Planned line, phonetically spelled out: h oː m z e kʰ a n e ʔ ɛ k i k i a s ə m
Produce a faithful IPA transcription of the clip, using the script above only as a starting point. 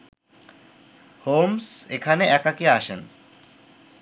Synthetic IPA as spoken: h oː m s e kʰ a n e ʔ ɛ k a k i a ʃ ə n